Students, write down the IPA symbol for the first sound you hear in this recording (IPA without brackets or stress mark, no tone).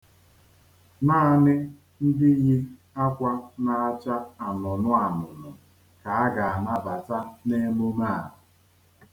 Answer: n